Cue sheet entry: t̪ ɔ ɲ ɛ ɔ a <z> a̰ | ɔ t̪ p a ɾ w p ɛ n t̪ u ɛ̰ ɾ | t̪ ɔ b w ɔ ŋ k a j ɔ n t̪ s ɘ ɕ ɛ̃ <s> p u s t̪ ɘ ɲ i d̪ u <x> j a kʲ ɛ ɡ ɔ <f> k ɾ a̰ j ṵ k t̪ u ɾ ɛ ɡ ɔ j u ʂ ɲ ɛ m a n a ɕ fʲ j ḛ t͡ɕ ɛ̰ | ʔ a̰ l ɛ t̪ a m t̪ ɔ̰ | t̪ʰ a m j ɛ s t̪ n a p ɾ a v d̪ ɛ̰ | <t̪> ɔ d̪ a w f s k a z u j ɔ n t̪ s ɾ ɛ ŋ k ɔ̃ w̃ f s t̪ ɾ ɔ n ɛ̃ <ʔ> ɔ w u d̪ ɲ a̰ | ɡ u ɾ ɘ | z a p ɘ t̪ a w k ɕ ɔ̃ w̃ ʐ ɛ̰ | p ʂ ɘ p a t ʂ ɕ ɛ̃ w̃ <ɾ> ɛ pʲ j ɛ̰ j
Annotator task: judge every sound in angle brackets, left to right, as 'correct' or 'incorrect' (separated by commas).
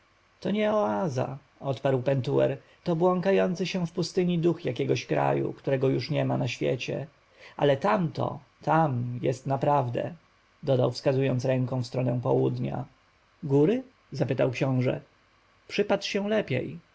correct, incorrect, correct, incorrect, incorrect, incorrect, incorrect